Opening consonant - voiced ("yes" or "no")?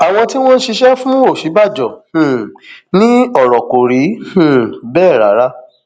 yes